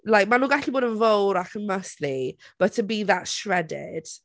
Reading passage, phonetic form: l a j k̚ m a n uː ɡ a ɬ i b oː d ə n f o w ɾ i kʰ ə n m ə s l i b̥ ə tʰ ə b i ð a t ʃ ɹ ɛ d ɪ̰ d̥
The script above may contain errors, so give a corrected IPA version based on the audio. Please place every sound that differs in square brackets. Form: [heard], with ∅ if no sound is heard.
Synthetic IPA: l a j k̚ m a n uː ɡ a ɬ i b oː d ə n [v] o w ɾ [a] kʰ ə n m ə s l i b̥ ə tʰ ə b i ð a t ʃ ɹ ɛ d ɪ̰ d̥